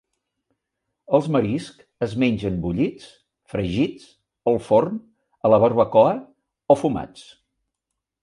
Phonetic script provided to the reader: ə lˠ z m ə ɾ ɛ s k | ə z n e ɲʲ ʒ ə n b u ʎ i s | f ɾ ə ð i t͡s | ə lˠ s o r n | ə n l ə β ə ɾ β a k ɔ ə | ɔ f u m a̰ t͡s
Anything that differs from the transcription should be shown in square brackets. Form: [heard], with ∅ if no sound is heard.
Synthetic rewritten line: ə lˠ z m ə ɾ [i] s k | ə z [m] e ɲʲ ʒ ə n b u ʎ i [t͡s] | f ɾ ə [ʒ] i t͡s | ə lˠ [f] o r n | ə [∅] l ə β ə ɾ β [ə] k ɔ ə | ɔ f u m a̰ t͡s